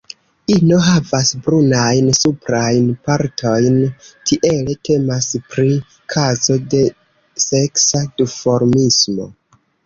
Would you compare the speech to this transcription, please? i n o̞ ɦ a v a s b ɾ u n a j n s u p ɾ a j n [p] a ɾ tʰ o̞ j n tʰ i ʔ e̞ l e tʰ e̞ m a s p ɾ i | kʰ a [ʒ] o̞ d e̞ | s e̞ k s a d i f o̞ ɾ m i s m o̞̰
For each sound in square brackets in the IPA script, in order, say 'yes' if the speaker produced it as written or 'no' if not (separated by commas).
yes, no